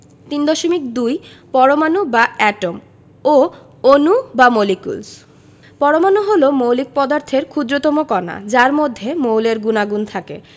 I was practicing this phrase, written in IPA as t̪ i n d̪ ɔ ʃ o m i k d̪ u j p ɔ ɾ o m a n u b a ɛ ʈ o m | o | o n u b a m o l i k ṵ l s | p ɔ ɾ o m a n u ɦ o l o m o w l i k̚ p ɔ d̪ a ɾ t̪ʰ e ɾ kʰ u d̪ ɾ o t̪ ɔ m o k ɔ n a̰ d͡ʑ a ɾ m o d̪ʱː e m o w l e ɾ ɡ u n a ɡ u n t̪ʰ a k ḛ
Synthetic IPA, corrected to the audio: t̪ i n d̪ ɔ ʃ o m i k d̪ u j p ɔ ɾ o m a n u b a ɛ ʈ o m | o | o n u b a m o l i k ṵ l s | p ɔ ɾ o m a n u ɦ o l o m o w l i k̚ p ɔ d̪ a ɾ t̪ʰ e ɾ kʰ u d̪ ɾ o t̪ ɔ m o k ɔ n a̰ d͡ʑ a ɾ m o d̪ʱː e m o w l e ɾ ɡ u n a ɡ u n t̪ʰ a k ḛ

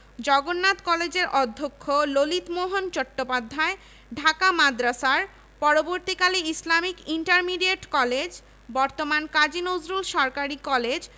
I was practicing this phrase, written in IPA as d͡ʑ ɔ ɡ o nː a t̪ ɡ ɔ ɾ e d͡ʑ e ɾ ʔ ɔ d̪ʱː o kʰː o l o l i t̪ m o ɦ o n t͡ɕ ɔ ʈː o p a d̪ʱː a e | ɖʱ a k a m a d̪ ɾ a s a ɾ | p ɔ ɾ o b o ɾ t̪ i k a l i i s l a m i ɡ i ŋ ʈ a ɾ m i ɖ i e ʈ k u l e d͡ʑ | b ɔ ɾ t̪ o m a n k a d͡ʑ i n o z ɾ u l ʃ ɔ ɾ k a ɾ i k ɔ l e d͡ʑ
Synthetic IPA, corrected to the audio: d͡ʑ ɔ ɡ o nː a t̪ k ɔ l e d͡ʑ e ɾ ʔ ɔ d̪ʱː o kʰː o l o l i t̪ m o ɦ o n t͡ɕ ɔ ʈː o p a d̪ʱː a e | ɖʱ a k a m a d̪ ɾ a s a ɾ | p ɔ ɾ o b o ɾ t̪ i k a l i i s l a m i k i ɳ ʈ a ɾ m i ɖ i e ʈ k ɔ l e d͡ʑ | b ɔ ɾ t̪ o m a n k a d͡ʑ i n o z ɾ u l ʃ ɔ ɾ k a ɾ i k ɔ l e d͡ʑ

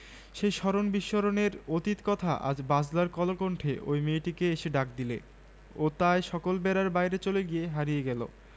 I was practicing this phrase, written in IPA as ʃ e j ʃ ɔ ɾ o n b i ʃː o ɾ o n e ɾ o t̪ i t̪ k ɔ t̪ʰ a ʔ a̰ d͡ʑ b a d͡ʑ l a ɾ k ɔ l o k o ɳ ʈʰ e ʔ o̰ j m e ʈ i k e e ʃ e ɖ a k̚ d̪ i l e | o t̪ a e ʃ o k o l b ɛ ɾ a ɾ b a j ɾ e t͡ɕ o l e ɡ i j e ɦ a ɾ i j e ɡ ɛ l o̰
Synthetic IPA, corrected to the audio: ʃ e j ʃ ɔ ɾ o n b i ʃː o ɾ o n e ɾ o t̪ i t̪ k ɔ t̪ʰ a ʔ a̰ d͡ʑ b a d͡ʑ l a ɾ k ɔ l o k o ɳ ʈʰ e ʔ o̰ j m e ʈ i k e e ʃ e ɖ a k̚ d̪ i l e | o t̪ a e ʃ ɔ k o l b ɛ ɾ a ɾ b a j ɾ e t͡ɕ o l e ɡ i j e ɦ a ɾ i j e ɡ ɛ l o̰

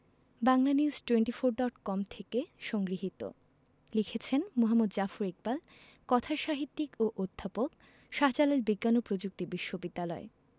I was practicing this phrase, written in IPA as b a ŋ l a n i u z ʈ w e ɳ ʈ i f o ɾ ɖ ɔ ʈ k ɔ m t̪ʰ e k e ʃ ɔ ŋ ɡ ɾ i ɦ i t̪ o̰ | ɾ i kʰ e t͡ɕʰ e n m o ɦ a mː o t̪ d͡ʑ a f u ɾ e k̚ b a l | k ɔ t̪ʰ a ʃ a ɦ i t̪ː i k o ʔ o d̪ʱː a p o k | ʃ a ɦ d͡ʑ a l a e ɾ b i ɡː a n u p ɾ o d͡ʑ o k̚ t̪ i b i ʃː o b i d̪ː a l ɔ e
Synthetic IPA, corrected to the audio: b a ŋ l a n i u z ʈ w e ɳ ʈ i f o ɾ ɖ ɔ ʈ k ɔ m t̪ʰ e k e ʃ ɔ ŋ ɡ ɾ i ɦ i t̪ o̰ | l i kʰ e t͡ɕʰ e n m o ɦ a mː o d̪ d͡ʑ a f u ɾ e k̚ b a l | k ɔ t̪ʰ a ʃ a ɦ i t̪ː i k o ʔ o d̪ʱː a p o k | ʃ a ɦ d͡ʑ a l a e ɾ b i ɡː a n o p ɾ o d͡ʑ u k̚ t̪ i b i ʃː o b i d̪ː a l ɔ e

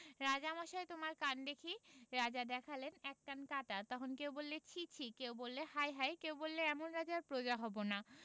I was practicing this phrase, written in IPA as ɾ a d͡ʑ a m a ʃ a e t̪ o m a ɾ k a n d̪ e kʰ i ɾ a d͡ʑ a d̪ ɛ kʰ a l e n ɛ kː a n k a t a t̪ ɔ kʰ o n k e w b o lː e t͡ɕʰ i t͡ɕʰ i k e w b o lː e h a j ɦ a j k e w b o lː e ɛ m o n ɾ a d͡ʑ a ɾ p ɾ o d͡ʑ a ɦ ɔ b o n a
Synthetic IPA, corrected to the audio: ɾ a d͡ʑ a m a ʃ a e t̪ o m a ɾ k a n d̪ e kʰ i ɾ a d͡ʑ a d̪ ɛ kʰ a l e n ɛ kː a n k a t a t̪ ɔ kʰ o n k e w b o lː e t͡ɕʰ i t͡ɕʰ i k e w b o lː e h a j ɦ a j k e w b o lː e ɛ m o n ɾ a d͡ʑ a ɾ p ɾ o d͡ʑ a ɦ ɔ b o n a

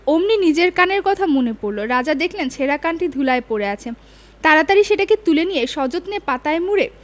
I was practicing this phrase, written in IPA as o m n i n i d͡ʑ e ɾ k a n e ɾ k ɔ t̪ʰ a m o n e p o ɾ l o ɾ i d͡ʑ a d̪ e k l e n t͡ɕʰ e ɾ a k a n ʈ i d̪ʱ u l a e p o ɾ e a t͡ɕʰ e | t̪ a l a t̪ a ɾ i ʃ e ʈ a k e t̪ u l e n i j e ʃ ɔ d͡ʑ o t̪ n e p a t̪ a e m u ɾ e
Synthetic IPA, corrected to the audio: o m n i n i d͡ʑ e ɾ k a n e ɾ k ɔ t̪ʰ a m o n e p o ɾ l o ɾ a d͡ʑ a d̪ e kʰ l e n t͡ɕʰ e ɾ a k a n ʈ i d̪ʱ u l a e p o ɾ e a t͡ɕʰ e | t̪ a ɾ a t̪ a ɾ i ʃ e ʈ a k e t̪ u l e n i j e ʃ ɔ d͡ʑ o t̪ n e p a t̪ a e m u ɾ e

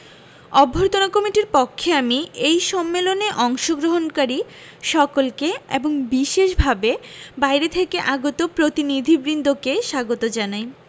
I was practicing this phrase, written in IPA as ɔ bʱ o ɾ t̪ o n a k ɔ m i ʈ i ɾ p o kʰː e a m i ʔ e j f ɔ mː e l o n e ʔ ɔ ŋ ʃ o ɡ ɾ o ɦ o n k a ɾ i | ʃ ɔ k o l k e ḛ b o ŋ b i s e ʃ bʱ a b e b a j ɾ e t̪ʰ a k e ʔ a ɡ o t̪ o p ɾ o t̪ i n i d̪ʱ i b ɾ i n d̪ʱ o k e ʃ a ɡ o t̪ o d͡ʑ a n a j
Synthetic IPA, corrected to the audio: ɔ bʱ o ɾ t̪ o n a k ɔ m i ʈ i ɾ p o kʰː e a m i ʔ e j ʃ ɔ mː e l o n e ʔ ɔ ŋ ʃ o ɡ ɾ o ɦ o n k a ɾ i | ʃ ɔ k o l k e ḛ b o ŋ b i ʃ e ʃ bʱ a b e b a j ɾ e t̪ʰ e k e ʔ a ɡ o t̪ o p ɾ o t̪ i n i d̪ʱ i b ɾ i n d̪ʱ o k e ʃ a ɡ o t̪ o d͡ʑ a n a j

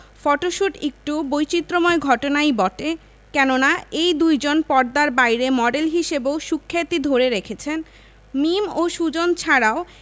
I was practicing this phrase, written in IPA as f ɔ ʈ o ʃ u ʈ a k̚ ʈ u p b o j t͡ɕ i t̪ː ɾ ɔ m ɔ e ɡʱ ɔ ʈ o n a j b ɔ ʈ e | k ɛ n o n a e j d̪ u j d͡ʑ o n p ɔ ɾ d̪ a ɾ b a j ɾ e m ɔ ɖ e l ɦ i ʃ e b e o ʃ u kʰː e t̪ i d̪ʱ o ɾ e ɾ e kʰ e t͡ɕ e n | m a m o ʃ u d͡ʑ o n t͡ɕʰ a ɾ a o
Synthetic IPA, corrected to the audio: f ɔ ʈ o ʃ u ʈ e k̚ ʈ u b o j t͡ɕ i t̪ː ɾ o m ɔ e ɡʱ ɔ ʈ o n a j b ɔ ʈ e | k ɛ n o n a e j d̪ u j d͡ʑ o n p ɔ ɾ d̪ a ɾ b a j ɾ e m ɔ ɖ e l ɦ i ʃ e b e o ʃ u kʰː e t̪ i d̪ʱ o ɾ e ɾ e kʰ e t͡ɕʰ e n | m i m o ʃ u d͡ʑ o n t͡ɕʰ a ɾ a o

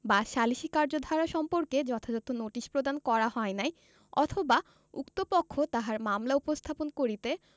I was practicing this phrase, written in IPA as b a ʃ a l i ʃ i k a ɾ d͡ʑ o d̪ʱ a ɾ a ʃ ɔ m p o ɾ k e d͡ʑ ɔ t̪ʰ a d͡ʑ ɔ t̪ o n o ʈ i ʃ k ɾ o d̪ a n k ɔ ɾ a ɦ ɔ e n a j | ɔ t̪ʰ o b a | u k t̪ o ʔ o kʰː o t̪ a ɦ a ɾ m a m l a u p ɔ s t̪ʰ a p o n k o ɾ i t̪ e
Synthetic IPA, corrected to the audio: b a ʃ a l i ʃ i k a ɾ d͡ʑ o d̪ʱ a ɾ a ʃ ɔ m p o ɾ k e d͡ʑ ɔ t̪ʰ a d͡ʑ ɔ t̪ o n o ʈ i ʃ p ɾ o d̪ a n k ɔ ɾ a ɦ ɔ e n a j | ɔ t̪ʰ o b a | u k t̪ o p o kʰː o t̪ a ɦ a ɾ m a m l a u p o s t̪ʰ a p o n k o ɾ i t̪ e

